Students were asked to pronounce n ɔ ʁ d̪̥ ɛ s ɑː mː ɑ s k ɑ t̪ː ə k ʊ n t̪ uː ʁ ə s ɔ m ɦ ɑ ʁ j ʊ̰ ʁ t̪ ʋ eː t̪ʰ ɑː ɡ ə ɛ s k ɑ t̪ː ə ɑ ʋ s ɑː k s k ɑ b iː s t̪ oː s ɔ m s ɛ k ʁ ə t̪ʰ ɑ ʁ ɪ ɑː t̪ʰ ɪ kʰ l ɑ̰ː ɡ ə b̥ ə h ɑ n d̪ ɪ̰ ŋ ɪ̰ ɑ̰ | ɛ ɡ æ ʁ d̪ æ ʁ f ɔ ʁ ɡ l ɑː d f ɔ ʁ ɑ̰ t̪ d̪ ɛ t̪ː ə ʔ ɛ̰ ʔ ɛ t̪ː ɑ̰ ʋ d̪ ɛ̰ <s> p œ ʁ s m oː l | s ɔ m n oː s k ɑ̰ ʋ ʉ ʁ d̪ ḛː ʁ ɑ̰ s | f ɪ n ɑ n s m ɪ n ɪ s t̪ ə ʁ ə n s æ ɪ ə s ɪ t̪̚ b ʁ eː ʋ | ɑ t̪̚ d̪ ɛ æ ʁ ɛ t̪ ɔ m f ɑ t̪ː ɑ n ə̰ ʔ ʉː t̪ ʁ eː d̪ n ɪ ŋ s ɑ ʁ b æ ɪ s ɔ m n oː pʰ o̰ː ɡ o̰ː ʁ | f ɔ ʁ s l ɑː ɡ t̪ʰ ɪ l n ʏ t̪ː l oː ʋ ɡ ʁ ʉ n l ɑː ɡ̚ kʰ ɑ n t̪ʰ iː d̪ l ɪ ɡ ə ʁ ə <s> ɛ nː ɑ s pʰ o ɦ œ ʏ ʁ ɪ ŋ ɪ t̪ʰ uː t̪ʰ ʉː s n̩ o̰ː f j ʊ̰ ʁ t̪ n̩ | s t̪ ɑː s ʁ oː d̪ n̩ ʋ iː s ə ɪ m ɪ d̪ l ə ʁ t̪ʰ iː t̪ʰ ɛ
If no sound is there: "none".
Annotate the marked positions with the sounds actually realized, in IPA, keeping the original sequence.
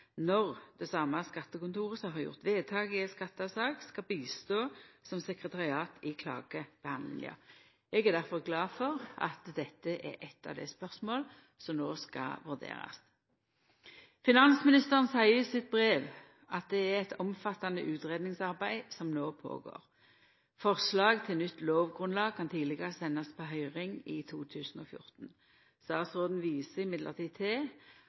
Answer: s, s

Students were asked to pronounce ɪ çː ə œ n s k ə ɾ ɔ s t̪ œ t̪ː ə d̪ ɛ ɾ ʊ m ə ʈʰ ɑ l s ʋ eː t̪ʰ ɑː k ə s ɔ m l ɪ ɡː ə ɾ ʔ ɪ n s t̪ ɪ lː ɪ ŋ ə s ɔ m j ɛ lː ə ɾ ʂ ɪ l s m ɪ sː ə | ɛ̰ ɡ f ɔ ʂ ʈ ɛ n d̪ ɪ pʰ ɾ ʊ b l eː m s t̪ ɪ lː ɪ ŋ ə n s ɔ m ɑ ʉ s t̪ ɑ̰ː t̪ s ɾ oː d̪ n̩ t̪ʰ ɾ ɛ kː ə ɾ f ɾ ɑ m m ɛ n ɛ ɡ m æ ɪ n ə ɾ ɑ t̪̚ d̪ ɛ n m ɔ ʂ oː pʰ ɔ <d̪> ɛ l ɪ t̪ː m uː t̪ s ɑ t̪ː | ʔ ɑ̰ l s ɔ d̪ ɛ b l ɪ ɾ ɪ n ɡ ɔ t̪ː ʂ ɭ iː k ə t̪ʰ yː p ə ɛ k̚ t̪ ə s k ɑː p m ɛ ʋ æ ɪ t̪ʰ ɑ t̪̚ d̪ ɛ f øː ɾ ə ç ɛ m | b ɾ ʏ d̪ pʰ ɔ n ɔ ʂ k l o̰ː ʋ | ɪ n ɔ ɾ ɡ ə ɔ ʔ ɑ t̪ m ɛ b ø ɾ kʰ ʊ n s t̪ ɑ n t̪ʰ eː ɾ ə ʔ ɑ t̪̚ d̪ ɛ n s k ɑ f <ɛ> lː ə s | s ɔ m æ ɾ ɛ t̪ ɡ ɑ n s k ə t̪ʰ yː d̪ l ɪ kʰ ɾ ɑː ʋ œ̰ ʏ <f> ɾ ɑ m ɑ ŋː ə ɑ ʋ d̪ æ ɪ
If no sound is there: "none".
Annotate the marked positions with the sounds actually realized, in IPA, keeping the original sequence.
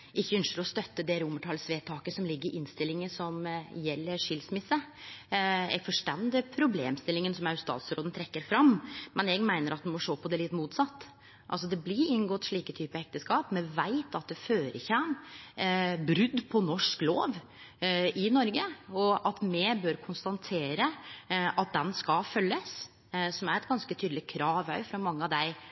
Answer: d̪, œ, f

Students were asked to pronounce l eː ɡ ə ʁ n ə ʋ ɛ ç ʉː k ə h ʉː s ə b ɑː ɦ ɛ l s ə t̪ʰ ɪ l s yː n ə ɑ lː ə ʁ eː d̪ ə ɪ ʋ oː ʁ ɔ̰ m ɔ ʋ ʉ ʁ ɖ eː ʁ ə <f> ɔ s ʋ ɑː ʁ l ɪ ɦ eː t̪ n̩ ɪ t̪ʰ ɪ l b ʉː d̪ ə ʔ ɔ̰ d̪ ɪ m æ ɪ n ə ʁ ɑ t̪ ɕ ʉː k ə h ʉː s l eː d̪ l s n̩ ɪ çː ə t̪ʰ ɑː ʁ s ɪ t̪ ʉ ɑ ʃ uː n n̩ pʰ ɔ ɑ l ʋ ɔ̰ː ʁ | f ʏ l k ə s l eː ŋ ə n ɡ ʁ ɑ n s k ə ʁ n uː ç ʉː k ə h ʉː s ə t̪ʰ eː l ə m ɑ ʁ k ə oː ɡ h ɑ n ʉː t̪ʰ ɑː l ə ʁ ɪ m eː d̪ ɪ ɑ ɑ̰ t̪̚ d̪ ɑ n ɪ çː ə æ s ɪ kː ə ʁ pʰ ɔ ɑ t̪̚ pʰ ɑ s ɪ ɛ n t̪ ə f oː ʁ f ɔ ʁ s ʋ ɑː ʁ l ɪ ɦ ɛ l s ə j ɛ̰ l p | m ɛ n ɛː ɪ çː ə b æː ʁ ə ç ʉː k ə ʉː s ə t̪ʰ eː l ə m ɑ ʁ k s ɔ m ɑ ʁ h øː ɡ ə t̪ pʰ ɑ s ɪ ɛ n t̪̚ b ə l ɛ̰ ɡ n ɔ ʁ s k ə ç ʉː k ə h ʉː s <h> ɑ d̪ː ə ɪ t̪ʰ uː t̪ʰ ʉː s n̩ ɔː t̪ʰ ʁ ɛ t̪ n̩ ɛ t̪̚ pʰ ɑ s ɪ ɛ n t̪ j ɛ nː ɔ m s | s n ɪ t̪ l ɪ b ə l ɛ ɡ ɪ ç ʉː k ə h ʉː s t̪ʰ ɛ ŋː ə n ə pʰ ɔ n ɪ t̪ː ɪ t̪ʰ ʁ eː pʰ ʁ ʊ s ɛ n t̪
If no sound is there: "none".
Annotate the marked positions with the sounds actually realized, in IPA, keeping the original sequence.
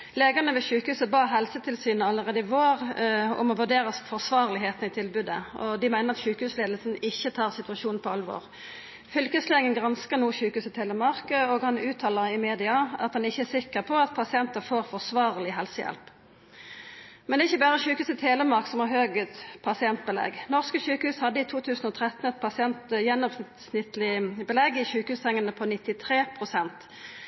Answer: f, h

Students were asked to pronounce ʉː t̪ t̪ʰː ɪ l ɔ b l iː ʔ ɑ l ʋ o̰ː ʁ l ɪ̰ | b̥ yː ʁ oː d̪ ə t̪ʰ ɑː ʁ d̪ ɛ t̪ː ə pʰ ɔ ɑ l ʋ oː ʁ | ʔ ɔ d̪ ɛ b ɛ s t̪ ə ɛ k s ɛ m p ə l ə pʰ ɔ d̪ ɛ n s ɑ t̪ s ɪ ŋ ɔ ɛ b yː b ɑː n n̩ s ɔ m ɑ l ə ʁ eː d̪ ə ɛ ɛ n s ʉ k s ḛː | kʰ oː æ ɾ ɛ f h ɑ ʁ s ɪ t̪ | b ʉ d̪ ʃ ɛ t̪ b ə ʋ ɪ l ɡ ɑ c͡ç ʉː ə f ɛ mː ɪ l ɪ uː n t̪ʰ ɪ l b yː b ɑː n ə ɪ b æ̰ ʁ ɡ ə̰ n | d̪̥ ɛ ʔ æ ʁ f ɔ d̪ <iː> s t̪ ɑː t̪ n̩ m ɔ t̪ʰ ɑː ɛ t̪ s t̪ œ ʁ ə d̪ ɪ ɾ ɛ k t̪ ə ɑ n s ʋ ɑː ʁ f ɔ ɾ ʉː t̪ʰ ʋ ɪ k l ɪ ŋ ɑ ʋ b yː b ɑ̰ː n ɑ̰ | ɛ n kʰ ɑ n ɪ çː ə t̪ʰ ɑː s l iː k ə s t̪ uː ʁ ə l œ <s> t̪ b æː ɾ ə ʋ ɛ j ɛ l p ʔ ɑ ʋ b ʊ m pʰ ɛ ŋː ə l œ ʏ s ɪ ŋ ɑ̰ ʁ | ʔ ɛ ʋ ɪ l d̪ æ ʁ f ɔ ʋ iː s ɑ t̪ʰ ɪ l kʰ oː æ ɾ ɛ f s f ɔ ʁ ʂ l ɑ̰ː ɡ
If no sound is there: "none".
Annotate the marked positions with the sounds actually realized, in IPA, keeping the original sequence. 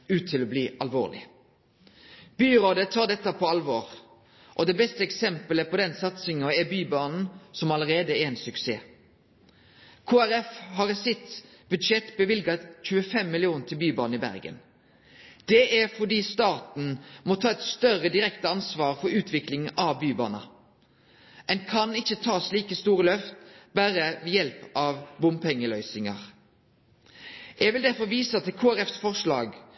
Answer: iː, f

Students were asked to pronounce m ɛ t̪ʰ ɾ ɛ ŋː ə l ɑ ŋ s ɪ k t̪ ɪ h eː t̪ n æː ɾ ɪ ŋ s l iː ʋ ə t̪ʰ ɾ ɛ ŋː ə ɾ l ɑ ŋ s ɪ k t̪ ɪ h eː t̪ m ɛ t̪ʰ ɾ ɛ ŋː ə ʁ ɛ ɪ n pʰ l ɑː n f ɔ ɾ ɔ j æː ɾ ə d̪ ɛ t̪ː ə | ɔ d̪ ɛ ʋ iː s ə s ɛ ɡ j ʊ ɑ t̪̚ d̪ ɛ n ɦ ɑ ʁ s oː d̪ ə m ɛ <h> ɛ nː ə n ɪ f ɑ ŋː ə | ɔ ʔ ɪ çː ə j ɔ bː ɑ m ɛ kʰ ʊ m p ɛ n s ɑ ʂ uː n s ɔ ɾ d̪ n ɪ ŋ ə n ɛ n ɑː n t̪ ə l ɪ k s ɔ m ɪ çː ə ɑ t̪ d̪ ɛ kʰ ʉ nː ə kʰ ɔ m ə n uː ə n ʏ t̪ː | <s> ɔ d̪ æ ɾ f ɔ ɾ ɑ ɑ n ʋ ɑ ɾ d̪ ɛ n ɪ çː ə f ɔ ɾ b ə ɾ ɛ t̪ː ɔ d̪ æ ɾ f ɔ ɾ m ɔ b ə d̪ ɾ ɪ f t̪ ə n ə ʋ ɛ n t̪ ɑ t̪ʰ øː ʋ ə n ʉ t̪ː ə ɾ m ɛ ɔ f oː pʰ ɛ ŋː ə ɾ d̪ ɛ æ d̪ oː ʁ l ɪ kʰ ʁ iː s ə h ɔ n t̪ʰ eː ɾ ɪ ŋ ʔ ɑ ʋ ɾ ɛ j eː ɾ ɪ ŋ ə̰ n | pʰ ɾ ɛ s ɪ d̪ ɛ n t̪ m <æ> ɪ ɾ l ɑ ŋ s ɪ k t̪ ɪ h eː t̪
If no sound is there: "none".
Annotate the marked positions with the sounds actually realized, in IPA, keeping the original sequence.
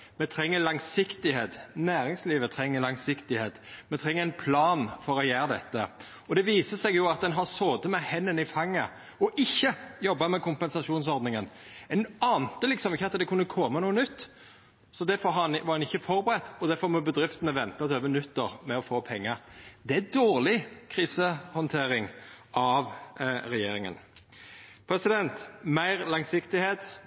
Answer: h, s, æ

